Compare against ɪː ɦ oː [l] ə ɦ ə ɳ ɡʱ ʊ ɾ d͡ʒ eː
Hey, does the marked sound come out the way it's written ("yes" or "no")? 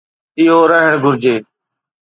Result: no